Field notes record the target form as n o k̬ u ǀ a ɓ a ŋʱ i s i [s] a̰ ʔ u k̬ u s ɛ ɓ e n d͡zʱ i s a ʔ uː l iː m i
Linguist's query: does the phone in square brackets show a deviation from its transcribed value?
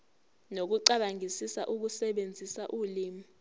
no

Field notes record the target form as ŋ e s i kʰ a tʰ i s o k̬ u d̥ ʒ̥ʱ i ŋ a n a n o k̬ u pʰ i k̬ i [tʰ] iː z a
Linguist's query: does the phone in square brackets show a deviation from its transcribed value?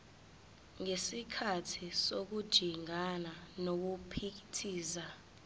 no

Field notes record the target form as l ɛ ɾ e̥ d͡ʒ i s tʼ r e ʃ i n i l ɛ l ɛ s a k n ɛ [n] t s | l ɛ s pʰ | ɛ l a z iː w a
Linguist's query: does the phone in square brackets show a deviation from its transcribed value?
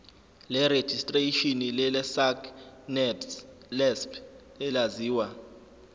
yes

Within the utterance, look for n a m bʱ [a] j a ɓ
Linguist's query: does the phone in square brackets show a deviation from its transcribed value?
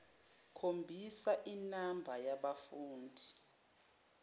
no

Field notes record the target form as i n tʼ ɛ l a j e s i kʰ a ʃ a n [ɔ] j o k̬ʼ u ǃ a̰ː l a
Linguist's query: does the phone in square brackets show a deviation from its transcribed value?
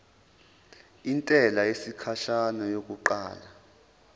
no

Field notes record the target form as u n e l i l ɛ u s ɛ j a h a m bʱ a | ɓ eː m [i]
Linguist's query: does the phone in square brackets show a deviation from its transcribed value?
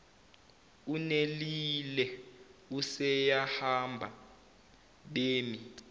no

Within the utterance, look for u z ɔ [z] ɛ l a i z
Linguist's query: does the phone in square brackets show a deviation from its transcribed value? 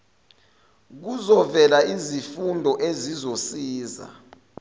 yes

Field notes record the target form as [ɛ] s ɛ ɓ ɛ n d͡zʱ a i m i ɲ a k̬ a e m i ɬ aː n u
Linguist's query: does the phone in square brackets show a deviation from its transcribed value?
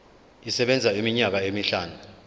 yes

